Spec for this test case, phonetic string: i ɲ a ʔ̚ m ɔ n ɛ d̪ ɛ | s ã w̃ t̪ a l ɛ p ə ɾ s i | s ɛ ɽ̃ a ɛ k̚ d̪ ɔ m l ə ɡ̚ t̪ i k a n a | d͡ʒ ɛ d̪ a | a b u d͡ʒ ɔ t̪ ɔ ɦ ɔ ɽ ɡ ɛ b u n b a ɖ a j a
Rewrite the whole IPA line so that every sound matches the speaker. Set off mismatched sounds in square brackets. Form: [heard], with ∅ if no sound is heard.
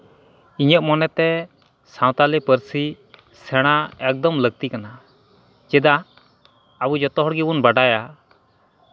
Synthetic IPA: i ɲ [ə] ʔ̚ m ɔ n ɛ [t̪] ɛ | s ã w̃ t̪ a l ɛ p ə ɾ s i | s ɛ ɽ̃ a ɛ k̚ d̪ ɔ m l ə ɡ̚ t̪ i k a n a | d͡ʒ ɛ d̪ a | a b u d͡ʒ ɔ t̪ ɔ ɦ ɔ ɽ ɡ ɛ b u n b a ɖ a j a